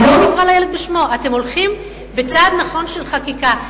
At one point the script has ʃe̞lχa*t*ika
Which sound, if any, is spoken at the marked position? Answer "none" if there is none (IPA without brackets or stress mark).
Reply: k